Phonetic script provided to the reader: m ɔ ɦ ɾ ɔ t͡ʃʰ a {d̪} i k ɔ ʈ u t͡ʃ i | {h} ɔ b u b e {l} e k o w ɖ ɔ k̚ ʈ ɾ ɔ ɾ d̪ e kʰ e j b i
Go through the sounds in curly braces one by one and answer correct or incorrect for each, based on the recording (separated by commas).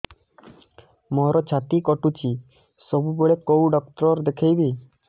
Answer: incorrect, incorrect, incorrect